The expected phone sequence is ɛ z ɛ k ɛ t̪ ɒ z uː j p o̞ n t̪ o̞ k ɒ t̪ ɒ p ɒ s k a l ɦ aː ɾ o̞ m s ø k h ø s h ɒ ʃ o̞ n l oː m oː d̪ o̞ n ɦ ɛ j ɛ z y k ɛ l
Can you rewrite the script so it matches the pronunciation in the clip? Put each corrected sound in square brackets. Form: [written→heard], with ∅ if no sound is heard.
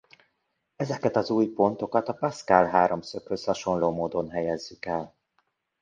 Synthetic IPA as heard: ɛ z ɛ k ɛ t̪ ɒ z uː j p o̞ n t̪ o̞ k ɒ t̪ ɒ p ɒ s k a l ɦ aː ɾ o̞ m s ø k h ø s h ɒ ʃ o̞ n l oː m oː d̪ o̞ n ɦ ɛ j ɛ [z→zː] y k ɛ l

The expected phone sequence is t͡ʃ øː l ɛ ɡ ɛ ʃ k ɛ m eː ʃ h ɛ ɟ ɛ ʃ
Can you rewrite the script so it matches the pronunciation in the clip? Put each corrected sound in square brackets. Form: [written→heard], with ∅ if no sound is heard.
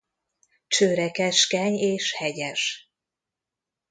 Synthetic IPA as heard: t͡ʃ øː [l→ɾ] ɛ [ɡ→k] ɛ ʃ k ɛ [m→ɲ] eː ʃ h ɛ ɟ ɛ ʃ

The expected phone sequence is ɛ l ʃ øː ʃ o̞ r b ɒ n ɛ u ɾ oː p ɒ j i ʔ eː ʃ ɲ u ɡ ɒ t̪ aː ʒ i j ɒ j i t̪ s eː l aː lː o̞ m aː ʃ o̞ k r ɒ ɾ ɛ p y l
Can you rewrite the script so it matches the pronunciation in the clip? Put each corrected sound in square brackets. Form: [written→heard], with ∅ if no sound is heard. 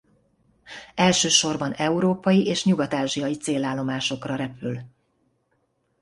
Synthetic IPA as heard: ɛ l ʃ øː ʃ o̞ r b ɒ n ɛ u ɾ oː p ɒ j i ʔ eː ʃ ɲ u ɡ ɒ t̪ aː ʒ i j ɒ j i t̪ s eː l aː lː o̞ m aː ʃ o̞ k r ɒ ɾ ɛ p y l

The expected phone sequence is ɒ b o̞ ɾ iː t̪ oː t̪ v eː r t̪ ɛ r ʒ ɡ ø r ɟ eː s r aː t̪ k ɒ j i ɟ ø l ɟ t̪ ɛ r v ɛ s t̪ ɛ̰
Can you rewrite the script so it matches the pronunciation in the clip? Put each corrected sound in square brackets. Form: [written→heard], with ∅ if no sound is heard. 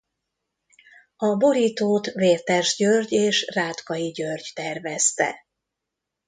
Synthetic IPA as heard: ɒ b o̞ ɾ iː t̪ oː t̪ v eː r t̪ ɛ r ʒ [ɡ→ɟ] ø r ɟ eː [s→ʃ] r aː t̪ k ɒ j i ɟ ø [l→r] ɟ t̪ ɛ r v ɛ s t̪ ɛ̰

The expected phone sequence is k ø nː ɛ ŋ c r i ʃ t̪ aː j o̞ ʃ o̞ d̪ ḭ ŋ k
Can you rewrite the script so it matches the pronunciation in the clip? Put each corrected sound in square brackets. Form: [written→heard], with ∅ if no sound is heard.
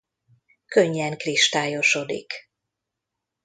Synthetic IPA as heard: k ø [nː→ɲː] ɛ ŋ [c→k] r i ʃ t̪ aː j o̞ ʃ o̞ d̪ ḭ [ŋ→∅] k

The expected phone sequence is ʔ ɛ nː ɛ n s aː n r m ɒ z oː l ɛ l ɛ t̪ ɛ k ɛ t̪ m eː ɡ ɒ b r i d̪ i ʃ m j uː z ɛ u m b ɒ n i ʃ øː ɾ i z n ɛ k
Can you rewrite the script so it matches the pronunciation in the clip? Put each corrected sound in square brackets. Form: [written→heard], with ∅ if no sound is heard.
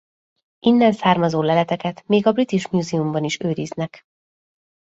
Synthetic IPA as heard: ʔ [ɛ→i] nː ɛ n s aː [n→∅] r m ɒ z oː l ɛ l ɛ t̪ ɛ k ɛ t̪ m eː ɡ ɒ b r i [d̪→t̪] i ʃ m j uː z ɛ u m b ɒ n i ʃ øː ɾ i z n ɛ k

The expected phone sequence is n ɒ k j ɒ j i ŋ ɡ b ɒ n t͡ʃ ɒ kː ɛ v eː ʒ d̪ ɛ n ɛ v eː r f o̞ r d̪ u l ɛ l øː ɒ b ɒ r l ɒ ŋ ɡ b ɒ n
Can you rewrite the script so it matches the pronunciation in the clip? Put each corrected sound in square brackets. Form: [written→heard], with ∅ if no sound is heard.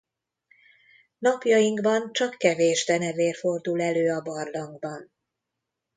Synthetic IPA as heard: n ɒ [k→p] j ɒ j i ŋ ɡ b ɒ n t͡ʃ ɒ kː ɛ v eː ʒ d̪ ɛ n ɛ v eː r f o̞ r d̪ u l ɛ l øː ɒ b ɒ r l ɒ ŋ ɡ b ɒ n

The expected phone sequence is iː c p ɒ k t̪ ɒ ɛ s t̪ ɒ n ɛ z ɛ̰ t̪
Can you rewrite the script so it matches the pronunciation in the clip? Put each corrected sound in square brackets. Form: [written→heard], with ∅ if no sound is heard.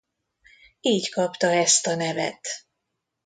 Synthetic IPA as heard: iː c [p→k] ɒ [k→p] t̪ ɒ ɛ s t̪ ɒ n ɛ [z→v] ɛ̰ t̪

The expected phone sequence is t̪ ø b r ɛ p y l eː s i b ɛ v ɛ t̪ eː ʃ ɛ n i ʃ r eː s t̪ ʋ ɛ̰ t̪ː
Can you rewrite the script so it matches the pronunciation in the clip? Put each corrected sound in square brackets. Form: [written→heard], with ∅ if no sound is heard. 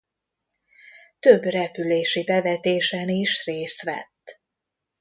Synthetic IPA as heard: t̪ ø b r ɛ p y l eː [s→ʃ] i b ɛ v ɛ t̪ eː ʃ ɛ n i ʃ r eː s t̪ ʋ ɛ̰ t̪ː

